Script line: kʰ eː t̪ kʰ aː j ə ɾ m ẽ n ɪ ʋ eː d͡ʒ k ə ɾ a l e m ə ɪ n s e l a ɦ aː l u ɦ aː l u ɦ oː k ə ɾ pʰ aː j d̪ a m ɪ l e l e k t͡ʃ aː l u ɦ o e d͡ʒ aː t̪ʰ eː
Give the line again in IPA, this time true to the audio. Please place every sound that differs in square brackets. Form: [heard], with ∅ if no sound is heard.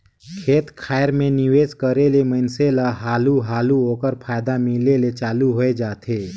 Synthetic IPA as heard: kʰ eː t̪ kʰ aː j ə ɾ m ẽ n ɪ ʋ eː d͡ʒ k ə ɾ [e] l e m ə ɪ n s e l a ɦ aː l u ɦ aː l u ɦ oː k ə ɾ pʰ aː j d̪ a m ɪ l e l e [∅] t͡ʃ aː l u ɦ o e d͡ʒ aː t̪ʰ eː